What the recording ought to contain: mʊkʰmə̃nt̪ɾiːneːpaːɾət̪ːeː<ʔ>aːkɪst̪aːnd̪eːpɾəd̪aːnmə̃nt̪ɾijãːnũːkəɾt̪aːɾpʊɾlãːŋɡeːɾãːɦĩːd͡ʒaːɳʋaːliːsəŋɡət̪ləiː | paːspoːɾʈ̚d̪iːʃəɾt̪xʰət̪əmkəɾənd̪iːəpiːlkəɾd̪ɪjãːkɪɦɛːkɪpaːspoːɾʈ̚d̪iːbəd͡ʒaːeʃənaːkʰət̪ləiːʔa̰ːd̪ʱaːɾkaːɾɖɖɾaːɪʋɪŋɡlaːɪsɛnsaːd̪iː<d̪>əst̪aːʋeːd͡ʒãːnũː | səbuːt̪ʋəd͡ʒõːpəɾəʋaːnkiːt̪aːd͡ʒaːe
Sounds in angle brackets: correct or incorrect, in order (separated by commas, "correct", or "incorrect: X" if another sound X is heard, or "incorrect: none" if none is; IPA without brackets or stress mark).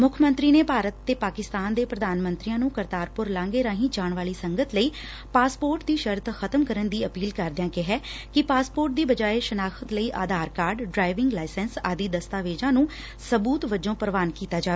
incorrect: p, correct